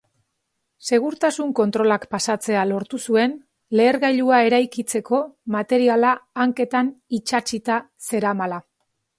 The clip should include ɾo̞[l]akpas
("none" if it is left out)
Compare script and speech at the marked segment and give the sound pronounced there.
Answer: l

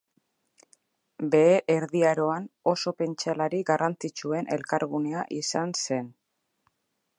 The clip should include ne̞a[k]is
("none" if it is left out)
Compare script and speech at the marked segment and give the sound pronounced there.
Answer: ʔ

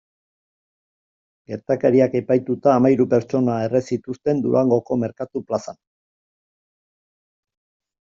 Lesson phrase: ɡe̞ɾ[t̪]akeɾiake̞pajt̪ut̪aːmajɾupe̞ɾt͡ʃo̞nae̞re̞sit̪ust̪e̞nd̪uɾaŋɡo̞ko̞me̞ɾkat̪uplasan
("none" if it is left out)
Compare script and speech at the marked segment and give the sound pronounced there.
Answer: t̪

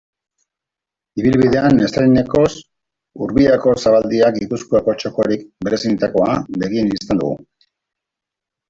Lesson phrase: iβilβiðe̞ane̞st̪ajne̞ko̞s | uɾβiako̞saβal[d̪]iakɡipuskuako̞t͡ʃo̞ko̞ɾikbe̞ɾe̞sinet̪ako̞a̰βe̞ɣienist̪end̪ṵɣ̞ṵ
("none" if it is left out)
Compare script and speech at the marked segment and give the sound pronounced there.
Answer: d̪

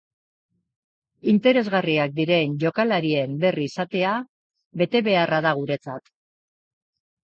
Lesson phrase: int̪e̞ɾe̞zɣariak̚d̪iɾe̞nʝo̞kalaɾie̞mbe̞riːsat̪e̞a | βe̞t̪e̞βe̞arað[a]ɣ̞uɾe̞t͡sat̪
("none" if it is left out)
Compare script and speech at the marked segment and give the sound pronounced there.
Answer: a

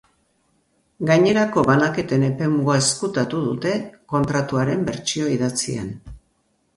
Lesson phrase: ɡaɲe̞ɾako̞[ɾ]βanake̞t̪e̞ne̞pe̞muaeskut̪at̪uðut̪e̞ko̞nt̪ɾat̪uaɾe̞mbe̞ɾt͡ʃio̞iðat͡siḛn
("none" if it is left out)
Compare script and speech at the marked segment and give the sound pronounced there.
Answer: none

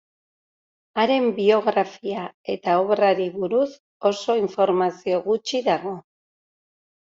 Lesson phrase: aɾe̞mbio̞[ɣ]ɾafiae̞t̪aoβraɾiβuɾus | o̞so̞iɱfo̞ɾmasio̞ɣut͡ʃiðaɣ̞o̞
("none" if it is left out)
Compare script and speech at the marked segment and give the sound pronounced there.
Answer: ɣ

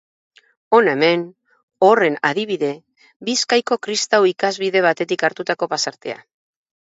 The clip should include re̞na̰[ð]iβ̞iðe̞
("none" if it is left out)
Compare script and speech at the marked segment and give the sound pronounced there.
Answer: ð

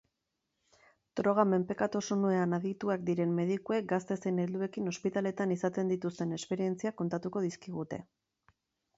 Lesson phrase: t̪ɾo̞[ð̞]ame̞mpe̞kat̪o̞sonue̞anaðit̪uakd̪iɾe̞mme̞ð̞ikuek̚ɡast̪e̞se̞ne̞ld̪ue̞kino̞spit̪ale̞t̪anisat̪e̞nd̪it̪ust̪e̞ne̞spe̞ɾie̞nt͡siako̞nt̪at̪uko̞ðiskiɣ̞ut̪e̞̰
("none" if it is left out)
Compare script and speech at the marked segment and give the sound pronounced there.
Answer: ɣ̞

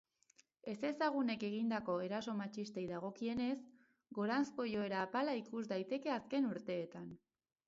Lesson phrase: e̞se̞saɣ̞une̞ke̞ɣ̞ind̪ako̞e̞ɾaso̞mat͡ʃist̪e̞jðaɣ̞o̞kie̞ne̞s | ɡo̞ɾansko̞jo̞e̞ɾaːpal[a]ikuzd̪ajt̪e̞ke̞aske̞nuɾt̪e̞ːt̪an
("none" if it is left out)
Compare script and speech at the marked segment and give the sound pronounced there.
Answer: a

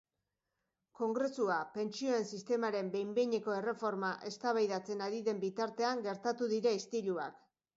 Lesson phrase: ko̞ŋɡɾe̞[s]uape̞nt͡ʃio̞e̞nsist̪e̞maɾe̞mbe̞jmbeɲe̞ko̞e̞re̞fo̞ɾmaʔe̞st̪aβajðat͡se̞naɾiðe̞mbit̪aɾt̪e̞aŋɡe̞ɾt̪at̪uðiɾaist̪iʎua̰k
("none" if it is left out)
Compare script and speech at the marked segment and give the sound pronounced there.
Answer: s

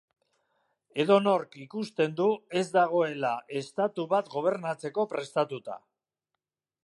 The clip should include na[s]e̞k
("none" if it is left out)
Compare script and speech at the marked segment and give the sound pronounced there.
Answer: t͡s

